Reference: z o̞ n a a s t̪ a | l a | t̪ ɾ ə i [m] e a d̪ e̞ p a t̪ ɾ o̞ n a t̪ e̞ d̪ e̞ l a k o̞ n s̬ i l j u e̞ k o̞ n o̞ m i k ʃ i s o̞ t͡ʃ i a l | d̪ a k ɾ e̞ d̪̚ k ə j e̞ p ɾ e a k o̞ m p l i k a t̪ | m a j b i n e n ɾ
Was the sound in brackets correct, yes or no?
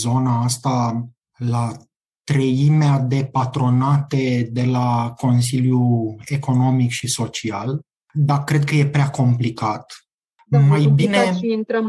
yes